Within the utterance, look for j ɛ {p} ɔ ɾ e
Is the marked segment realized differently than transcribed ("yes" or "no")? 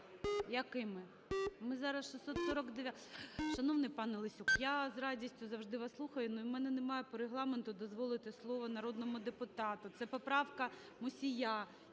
no